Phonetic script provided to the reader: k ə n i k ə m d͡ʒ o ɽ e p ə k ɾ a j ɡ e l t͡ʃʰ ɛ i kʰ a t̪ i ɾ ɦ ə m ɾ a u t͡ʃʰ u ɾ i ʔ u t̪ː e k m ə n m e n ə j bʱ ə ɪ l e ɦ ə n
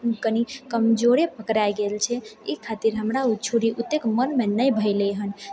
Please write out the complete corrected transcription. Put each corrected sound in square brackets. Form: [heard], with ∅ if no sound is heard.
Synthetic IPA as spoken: k ə n i k ə m d͡ʒ o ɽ e p ə k ɾ a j ɡ e l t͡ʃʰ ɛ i kʰ a t̪ i ɾ ɦ ə m ɾ a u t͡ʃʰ u ɾ i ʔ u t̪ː e k m ə n m e n ə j bʱ ə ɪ l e ɦ ə n